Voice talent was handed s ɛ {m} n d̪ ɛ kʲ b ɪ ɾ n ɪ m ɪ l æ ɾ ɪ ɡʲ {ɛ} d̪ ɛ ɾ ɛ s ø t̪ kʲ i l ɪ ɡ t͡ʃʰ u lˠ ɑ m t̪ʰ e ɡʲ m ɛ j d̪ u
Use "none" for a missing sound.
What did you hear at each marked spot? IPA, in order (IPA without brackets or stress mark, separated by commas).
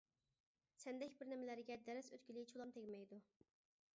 none, ɛ